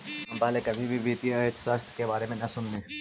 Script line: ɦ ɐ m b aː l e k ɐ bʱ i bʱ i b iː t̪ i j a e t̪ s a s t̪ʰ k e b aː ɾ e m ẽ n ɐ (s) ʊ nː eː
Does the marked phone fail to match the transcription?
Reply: no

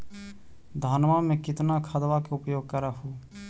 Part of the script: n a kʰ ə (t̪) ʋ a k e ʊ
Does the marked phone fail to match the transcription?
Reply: yes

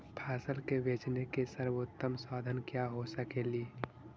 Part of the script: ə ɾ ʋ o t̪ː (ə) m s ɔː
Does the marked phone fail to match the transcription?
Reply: no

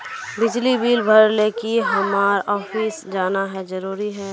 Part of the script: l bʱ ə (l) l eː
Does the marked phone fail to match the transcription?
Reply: yes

